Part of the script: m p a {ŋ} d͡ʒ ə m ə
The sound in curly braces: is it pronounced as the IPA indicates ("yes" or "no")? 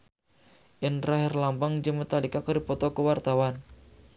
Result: yes